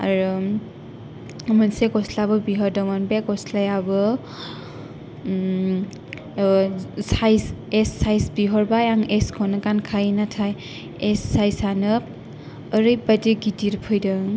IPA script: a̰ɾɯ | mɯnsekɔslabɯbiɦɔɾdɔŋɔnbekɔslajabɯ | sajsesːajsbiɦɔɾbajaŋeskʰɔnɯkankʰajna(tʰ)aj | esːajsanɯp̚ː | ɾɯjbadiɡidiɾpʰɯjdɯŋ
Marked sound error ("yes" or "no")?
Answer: no